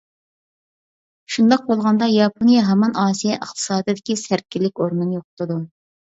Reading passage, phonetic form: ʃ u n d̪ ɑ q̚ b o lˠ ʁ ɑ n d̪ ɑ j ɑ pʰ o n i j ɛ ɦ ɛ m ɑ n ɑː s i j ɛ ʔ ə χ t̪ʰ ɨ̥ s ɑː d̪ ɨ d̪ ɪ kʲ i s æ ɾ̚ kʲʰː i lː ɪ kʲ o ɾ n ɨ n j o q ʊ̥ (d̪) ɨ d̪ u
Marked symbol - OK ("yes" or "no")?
no